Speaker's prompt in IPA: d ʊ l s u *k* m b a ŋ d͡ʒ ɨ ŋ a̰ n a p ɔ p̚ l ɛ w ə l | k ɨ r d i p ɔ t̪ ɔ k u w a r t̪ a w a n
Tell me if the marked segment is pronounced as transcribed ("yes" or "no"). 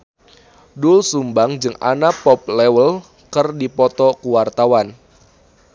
no